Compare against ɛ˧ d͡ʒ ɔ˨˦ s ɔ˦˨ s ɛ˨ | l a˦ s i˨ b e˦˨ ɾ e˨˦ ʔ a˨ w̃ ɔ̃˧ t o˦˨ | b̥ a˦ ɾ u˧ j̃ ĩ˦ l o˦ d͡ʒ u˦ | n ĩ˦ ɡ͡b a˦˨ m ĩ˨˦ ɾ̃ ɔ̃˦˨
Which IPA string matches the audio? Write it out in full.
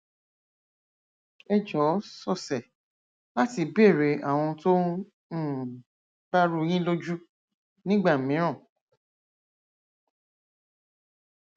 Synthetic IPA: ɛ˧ d͡ʒ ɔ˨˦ s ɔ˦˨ s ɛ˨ | l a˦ t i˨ b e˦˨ ɾ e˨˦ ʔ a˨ w̃ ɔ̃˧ t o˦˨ | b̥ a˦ ɾ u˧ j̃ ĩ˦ l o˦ d͡ʒ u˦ | n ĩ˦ ɡ͡b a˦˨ m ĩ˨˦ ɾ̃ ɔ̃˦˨